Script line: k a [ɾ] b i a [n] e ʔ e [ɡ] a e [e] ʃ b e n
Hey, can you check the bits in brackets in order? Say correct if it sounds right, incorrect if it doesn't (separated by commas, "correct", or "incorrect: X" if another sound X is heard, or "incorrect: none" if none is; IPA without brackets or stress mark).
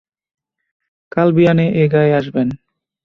incorrect: l, correct, correct, incorrect: a